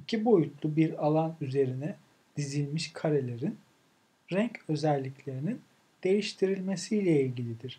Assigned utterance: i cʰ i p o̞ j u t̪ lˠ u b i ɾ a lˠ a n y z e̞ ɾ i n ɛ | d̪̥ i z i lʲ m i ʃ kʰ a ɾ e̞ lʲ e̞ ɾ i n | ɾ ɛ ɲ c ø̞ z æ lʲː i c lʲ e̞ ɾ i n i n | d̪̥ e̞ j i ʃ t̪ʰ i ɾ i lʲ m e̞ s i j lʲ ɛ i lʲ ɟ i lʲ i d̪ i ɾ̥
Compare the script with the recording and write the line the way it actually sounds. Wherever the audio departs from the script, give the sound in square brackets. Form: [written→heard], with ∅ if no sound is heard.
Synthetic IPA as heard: i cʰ i [p→b] o̞ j u t̪ lˠ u b i ɾ a lˠ a n y z e̞ ɾ i n ɛ | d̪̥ i z i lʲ m i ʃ kʰ a ɾ e̞ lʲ e̞ ɾ i n | ɾ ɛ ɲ c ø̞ z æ lʲː i c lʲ e̞ ɾ i n i n | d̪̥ e̞ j i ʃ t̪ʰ i ɾ i lʲ m e̞ s i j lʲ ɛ i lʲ ɟ i lʲ i d̪ i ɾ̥